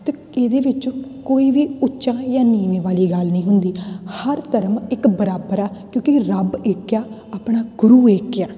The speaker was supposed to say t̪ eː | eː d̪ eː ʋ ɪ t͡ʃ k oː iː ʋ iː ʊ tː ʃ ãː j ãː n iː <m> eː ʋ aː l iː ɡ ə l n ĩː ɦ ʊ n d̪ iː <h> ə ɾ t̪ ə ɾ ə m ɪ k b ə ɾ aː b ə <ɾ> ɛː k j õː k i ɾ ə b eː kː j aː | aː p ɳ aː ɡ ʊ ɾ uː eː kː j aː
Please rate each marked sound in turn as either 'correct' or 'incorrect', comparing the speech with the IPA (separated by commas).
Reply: correct, correct, correct